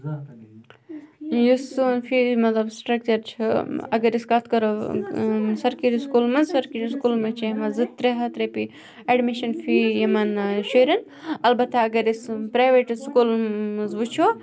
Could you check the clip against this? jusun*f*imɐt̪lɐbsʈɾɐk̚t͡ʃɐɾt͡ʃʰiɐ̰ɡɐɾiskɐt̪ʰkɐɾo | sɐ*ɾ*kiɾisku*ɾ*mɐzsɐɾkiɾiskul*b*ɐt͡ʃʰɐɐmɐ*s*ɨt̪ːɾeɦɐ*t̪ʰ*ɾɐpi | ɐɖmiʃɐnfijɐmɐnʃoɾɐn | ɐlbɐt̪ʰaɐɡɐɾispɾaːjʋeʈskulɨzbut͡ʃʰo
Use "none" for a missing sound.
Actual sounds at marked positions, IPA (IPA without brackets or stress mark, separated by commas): f, ɾ, l, m, z, t̪